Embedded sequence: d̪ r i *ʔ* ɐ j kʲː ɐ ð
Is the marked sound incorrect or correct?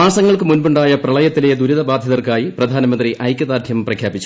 correct